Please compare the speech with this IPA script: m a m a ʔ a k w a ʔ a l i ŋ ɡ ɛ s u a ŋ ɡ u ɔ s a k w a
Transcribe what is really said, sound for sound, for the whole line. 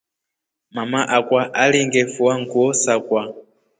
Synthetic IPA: m a m a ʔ a k w a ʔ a l i ŋ ɡ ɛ f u a ŋ ɡ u ɔ s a k w a